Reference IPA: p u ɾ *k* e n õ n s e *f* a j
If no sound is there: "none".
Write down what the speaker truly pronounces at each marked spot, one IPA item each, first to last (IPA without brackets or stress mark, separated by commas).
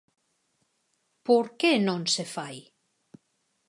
k, f